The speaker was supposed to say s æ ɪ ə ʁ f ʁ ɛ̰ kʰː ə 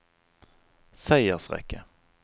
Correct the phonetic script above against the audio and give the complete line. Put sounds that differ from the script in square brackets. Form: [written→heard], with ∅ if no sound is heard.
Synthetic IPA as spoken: s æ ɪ ə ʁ [f→s] ʁ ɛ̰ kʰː ə